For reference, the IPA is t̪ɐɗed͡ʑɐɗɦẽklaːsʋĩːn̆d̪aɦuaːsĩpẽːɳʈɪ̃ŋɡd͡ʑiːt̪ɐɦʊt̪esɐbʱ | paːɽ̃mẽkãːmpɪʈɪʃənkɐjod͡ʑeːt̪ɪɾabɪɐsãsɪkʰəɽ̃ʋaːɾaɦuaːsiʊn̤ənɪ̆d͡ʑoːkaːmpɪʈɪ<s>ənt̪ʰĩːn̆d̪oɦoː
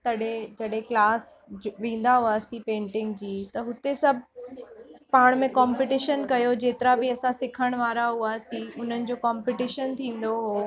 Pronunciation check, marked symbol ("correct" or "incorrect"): incorrect